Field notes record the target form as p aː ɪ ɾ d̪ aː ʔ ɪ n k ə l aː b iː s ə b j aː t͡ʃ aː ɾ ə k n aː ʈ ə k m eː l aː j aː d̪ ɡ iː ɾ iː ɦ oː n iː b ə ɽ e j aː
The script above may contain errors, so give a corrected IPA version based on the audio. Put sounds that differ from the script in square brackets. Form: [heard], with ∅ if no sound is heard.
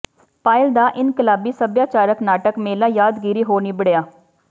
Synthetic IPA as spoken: p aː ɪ [l] d̪ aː ʔ ɪ n k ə l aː b iː s ə b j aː t͡ʃ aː ɾ ə k n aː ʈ ə k m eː l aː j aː d̪ ɡ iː ɾ iː ɦ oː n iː b ə ɽ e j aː

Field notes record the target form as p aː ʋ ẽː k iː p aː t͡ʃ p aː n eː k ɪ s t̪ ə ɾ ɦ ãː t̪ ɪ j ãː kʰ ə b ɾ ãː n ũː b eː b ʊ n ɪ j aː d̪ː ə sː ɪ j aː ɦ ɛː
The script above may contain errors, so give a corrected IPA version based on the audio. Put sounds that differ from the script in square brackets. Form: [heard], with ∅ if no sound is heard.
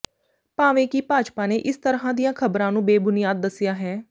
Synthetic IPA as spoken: p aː ʋ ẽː k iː p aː t͡ʃ p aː n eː [ʔ] ɪ s t̪ ə ɾ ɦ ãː [d̪] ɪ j ãː kʰ ə b ɾ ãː n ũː b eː b ʊ n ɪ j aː d̪ː ə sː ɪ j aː ɦ ɛː

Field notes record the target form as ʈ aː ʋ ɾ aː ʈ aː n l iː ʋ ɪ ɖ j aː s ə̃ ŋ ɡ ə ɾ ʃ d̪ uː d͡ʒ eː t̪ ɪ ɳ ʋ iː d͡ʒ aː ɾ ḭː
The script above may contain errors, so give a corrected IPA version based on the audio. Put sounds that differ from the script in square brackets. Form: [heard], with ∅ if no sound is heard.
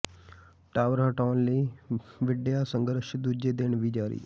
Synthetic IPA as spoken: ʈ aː ʋ ɾ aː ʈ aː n l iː ʋ ɪ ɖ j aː s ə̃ ŋ ɡ ə ɾ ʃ d̪ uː d͡ʒ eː [d̪] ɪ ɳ ʋ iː d͡ʒ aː ɾ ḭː

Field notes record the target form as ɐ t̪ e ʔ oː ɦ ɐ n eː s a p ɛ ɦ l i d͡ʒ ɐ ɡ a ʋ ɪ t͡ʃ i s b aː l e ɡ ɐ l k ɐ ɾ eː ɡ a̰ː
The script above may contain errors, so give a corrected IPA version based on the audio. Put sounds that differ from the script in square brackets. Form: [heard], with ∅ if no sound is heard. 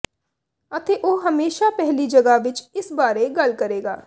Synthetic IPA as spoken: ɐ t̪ e ʔ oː ɦ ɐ [m] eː [ʃ] a p ɛ ɦ l i d͡ʒ ɐ ɡ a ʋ ɪ t͡ʃ [ɪ] s b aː [ɾ] e ɡ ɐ l k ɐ ɾ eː ɡ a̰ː

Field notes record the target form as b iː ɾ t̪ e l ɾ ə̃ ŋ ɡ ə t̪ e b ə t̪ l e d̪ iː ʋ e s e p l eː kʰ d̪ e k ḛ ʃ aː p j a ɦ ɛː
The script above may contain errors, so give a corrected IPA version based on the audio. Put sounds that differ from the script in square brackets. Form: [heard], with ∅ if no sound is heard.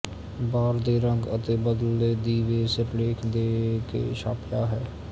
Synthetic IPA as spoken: b [aː] ɾ [d̪] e [∅] ɾ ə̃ ŋ ɡ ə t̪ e b ə [d̪] l e d̪ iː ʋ e s e p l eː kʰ d̪ e k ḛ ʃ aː p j a ɦ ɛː

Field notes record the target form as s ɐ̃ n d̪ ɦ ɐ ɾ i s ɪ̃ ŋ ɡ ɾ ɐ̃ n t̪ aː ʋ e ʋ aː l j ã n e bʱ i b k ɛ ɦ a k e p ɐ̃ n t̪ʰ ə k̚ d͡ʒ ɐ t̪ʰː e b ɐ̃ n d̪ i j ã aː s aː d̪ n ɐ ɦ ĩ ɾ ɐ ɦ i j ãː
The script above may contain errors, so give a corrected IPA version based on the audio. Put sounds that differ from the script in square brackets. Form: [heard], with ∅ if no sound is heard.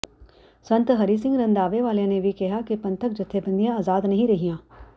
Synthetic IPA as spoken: s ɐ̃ n [t̪] ɦ ɐ ɾ i s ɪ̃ ŋ ɡ ɾ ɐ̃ n [d̪] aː ʋ e ʋ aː l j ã n e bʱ i [∅] k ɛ ɦ a k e p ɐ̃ n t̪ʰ ə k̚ d͡ʒ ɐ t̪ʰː e b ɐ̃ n d̪ i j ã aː [z] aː d̪ n ɐ ɦ ĩ ɾ ɐ ɦ i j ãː

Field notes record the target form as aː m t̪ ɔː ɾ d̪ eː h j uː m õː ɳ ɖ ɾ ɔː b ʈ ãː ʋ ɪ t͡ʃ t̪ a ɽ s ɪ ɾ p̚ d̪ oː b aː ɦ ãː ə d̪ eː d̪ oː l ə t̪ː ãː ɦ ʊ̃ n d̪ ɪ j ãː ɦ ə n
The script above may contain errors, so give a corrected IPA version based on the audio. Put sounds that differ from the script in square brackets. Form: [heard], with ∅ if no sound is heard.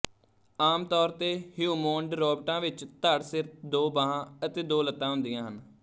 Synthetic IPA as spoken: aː m t̪ ɔː ɾ [t̪] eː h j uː m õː ɳ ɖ ɾ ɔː b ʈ ãː ʋ ɪ t͡ʃ t̪ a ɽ s ɪ ɾ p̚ d̪ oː b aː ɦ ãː ə [t̪] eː d̪ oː l ə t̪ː ãː ɦ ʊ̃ n d̪ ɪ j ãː ɦ ə n

